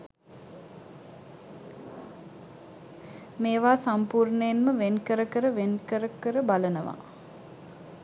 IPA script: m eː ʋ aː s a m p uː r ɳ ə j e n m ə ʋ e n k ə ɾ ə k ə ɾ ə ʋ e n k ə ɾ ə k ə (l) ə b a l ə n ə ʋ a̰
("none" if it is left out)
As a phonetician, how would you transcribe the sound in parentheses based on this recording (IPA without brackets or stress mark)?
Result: ɾ